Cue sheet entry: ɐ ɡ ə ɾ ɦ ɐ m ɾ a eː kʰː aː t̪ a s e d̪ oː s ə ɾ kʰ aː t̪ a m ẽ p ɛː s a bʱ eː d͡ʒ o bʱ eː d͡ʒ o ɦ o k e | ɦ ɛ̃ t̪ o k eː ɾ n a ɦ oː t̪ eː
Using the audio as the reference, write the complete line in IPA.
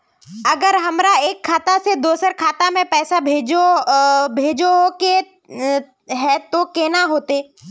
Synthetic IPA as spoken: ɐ ɡ ə ɾ ɦ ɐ m ɾ a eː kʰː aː t̪ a s e d̪ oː s ə ɾ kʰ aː t̪ a m ẽ p ɛː s a bʱ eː d͡ʒ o bʱ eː d͡ʒ o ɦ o k e | ɦ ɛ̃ t̪ o k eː n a ɦ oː t̪ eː